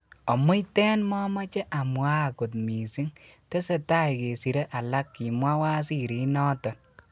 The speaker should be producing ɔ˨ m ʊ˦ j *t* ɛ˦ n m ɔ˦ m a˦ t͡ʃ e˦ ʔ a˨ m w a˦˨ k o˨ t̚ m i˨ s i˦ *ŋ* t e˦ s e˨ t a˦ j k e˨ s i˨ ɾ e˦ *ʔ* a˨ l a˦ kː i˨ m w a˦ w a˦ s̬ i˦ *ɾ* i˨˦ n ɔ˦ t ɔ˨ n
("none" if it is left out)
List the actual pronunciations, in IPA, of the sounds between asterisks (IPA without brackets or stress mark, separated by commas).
t, ŋ, ʔ, ɾ